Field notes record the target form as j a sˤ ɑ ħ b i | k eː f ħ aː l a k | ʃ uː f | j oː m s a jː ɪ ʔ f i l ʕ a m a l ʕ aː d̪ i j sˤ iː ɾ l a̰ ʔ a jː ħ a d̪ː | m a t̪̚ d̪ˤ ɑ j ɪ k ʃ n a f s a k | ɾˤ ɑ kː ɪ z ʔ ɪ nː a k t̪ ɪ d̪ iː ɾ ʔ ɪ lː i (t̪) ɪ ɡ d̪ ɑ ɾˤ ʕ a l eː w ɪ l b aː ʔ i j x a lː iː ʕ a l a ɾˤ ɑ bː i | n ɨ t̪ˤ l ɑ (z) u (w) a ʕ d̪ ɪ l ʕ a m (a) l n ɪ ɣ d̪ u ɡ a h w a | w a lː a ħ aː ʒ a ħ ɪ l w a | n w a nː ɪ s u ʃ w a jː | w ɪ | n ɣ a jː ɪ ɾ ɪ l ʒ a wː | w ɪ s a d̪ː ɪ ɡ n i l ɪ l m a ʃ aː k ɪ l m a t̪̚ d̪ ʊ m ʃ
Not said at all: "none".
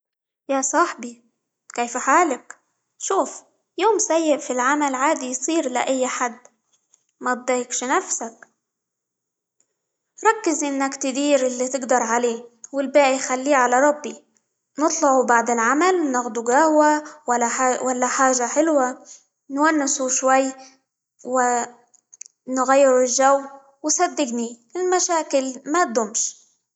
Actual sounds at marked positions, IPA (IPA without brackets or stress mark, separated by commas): t̪, ʕ, b, a